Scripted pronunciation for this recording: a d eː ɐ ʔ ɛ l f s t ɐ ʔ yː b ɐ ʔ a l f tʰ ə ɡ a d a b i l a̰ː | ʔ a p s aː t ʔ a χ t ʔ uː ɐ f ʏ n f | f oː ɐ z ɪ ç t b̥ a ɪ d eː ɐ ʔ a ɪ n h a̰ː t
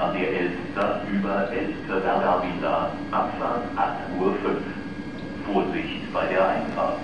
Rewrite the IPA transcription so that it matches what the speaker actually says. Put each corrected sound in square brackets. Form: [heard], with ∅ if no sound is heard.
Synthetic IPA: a d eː ɐ ʔ ɛ l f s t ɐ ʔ yː b ɐ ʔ [ɛ] l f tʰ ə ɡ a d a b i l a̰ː | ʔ a p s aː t ʔ a χ t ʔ uː ɐ f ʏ n f | f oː ɐ z ɪ ç t b̥ a ɪ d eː ɐ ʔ a ɪ n [f] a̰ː t